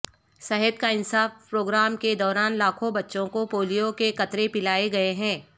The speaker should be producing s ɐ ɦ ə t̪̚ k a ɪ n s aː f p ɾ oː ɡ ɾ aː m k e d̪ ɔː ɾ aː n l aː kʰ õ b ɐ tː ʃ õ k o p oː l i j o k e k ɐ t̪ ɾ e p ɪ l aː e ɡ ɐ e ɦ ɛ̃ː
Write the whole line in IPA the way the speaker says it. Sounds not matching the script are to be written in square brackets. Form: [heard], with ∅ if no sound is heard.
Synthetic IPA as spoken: s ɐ ɦ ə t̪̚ k a ɪ n s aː f p ɾ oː ɡ ɾ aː m k e d̪ ɔː ɾ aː n l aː kʰ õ b ɐ tː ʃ õ k o p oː l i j o k e k ɐ t̪ ɾ e p ɪ l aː e ɡ ɐ e ɦ ɛ̃ː